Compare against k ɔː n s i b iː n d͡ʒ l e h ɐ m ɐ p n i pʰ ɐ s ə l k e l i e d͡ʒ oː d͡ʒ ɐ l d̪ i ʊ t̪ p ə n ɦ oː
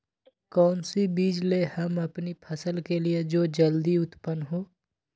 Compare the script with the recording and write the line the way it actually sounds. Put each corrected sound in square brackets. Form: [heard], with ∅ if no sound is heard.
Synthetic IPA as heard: k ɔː n s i b iː [∅] d͡ʒ l e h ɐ m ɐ p n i pʰ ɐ s ə l k e l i e d͡ʒ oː d͡ʒ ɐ l d̪ i ʊ t̪ p ə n ɦ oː